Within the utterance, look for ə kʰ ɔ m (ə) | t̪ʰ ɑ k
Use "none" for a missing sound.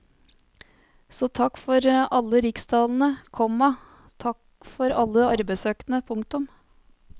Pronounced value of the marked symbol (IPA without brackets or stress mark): ɑ